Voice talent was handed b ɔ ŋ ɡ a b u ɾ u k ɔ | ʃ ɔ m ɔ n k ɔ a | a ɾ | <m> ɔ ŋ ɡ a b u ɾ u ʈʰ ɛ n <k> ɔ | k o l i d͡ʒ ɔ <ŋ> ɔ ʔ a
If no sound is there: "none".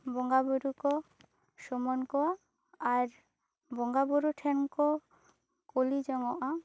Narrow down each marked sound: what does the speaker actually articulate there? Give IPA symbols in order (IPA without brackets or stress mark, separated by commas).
b, k, ŋ